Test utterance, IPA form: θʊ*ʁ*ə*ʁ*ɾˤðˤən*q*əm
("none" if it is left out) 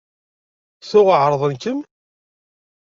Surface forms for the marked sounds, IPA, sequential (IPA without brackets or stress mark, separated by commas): ʁ, ʕ, k